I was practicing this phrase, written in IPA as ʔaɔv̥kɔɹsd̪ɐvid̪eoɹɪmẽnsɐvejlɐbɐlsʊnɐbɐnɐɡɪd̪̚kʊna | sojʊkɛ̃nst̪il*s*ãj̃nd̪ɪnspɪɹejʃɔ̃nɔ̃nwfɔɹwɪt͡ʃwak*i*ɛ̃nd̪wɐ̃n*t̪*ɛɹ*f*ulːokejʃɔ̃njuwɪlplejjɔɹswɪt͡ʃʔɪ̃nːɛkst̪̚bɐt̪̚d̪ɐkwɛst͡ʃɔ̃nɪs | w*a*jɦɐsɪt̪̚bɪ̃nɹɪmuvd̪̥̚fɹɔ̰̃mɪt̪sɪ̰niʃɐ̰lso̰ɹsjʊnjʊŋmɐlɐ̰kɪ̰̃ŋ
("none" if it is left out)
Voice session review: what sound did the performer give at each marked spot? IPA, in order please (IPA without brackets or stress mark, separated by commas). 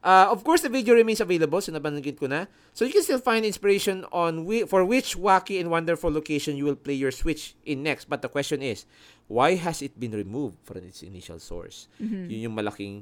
f, i, d̪, f, a